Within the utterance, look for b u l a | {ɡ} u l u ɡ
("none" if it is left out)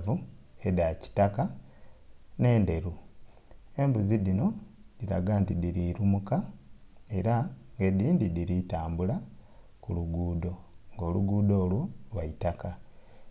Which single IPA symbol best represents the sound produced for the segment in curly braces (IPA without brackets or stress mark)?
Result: k